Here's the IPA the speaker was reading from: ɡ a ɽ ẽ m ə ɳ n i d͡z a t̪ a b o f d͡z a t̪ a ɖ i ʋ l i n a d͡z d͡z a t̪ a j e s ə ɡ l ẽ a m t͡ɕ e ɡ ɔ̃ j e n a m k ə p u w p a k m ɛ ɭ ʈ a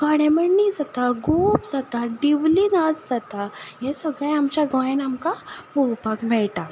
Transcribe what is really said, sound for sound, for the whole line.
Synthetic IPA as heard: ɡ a ɽ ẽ m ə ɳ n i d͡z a t̪ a ɡ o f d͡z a t̪ a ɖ i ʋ l i n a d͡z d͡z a t̪ a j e s ə ɡ ɭ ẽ a m t͡ɕ a ɡ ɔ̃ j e n a m k a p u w p a k m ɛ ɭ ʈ a